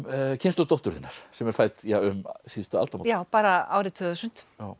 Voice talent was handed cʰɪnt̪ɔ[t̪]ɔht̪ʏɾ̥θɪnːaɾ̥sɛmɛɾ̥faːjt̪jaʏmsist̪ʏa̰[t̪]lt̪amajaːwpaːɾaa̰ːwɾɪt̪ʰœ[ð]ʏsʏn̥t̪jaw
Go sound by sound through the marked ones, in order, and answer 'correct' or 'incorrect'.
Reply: correct, incorrect, correct

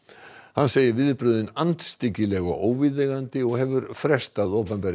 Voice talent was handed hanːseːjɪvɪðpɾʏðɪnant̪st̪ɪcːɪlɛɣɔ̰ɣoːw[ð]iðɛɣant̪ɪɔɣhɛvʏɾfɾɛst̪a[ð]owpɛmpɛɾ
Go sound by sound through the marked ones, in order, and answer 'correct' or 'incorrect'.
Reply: incorrect, correct

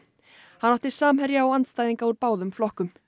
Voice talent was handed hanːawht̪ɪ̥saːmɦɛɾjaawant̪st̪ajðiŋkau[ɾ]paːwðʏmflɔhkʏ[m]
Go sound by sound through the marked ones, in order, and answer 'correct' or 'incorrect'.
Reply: correct, correct

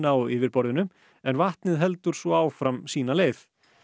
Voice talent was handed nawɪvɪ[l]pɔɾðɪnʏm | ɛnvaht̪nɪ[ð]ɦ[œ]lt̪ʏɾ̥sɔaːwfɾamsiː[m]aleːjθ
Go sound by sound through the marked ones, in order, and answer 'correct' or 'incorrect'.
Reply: incorrect, correct, incorrect, incorrect

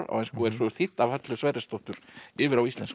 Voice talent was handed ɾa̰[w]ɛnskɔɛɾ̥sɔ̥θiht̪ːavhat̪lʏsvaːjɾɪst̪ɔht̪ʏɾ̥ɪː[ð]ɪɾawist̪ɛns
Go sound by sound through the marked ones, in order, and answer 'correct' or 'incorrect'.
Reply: correct, incorrect

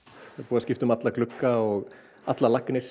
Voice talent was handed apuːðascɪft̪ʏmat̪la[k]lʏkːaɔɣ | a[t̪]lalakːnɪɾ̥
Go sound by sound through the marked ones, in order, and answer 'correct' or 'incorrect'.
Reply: correct, correct

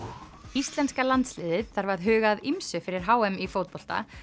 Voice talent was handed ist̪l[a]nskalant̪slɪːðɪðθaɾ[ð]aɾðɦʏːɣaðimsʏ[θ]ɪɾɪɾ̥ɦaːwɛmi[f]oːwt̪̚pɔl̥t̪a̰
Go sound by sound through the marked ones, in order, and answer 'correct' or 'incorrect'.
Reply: incorrect, incorrect, incorrect, correct

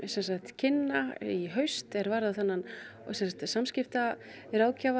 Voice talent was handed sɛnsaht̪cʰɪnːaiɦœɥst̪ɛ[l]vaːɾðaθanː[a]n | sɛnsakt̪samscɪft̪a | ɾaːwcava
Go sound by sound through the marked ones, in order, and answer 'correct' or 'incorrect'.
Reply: incorrect, correct

